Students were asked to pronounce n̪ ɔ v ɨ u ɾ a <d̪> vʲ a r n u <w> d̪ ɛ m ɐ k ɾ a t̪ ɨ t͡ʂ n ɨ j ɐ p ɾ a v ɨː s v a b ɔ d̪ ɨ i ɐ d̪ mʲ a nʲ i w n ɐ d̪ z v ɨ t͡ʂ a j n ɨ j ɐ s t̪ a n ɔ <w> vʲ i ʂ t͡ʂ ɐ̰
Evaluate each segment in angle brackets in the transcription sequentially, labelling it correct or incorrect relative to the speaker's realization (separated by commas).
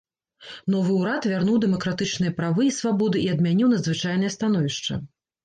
incorrect, correct, incorrect